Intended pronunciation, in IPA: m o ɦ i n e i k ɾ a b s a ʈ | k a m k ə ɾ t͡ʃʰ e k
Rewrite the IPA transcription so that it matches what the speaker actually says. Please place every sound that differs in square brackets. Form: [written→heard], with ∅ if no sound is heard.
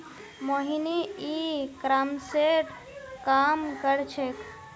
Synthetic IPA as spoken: m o ɦ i n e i k ɾ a [b→m] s [a→e] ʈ | k a m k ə ɾ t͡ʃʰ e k

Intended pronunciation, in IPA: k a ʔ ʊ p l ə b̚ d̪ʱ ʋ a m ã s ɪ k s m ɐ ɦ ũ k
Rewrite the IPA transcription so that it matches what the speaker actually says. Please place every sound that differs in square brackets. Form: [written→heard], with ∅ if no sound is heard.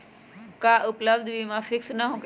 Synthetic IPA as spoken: k a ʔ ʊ p l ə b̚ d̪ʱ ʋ [a→i] m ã [s→f] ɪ k s [m→n] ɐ ɦ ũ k

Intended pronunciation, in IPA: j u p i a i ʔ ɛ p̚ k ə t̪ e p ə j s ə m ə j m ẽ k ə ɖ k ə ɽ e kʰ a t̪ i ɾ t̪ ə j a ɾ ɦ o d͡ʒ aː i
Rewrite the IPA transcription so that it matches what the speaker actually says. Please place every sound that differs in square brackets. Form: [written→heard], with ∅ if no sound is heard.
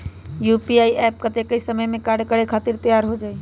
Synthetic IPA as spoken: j u p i a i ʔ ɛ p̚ k ə t̪ e [p→k] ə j s ə m ə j m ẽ k [ə→a] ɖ k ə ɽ e kʰ a t̪ i ɾ t̪ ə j a ɾ ɦ o d͡ʒ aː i

